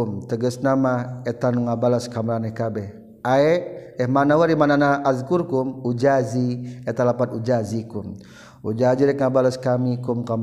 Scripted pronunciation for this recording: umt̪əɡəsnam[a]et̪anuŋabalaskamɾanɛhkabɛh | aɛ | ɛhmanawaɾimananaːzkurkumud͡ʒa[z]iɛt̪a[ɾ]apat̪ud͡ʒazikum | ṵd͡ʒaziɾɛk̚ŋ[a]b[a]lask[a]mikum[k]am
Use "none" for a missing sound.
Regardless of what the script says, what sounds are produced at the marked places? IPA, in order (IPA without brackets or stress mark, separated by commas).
a, z, l, a, a, a, k